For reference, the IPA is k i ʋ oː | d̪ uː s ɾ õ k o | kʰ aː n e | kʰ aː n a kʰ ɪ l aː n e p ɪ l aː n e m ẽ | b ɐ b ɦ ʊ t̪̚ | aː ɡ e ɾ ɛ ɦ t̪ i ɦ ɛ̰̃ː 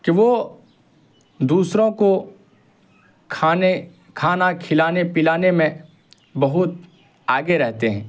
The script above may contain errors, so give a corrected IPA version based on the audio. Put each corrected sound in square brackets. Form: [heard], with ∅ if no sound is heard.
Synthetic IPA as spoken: k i ʋ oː | d̪ uː s ɾ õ k o | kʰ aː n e | kʰ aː n a kʰ ɪ l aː n e p ɪ l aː n e m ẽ | b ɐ [∅] ɦ ʊ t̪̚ | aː ɡ e ɾ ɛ ɦ t̪ [e] ɦ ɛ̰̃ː